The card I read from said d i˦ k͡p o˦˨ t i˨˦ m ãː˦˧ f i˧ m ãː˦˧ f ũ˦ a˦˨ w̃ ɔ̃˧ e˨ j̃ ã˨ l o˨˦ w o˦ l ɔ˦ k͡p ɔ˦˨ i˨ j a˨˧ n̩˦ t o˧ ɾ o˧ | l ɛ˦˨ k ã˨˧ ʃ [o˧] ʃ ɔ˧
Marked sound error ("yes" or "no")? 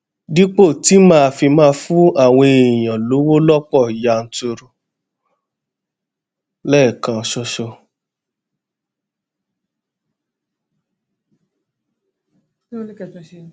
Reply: yes